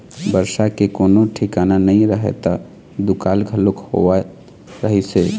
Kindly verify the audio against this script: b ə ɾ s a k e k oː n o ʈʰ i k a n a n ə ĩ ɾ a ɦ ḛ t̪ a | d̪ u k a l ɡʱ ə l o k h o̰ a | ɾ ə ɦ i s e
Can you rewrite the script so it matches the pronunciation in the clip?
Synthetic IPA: b ə ɾ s a k e k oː n o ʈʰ i k a n a n ə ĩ ɾ ə ɦ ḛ t̪ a | d̪ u k a l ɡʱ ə l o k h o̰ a | ɾ ə ɦ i s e